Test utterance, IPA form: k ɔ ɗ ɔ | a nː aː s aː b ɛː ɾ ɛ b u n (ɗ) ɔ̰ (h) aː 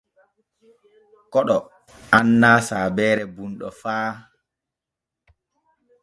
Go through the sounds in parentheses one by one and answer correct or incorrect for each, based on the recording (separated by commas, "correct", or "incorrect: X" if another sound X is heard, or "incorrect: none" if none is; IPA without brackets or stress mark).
correct, incorrect: f